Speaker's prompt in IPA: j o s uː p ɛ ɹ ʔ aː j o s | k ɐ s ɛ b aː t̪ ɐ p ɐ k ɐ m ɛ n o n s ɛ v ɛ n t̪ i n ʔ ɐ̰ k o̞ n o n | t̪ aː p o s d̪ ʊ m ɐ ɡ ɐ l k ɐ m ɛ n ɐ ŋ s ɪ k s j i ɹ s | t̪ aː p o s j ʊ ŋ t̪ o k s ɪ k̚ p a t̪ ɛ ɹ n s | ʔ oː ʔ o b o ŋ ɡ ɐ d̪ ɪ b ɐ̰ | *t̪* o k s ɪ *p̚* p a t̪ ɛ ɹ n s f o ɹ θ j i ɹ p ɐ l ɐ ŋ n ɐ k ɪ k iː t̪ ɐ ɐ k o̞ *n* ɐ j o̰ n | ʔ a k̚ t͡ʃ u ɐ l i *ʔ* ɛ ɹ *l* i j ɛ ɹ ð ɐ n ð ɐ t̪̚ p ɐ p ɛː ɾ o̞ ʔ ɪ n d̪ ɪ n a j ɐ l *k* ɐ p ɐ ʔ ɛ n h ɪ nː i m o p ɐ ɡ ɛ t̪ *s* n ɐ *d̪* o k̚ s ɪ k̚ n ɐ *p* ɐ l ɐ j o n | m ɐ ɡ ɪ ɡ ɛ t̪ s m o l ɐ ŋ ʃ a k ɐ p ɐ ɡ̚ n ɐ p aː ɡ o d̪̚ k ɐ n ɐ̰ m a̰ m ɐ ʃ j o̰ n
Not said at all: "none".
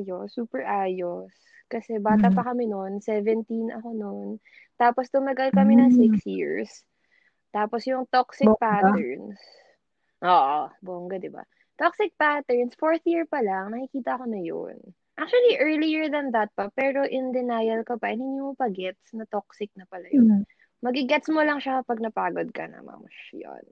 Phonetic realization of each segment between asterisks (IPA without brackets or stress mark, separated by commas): t̪, k̚, n, ʔ, l, k, s, t̪, p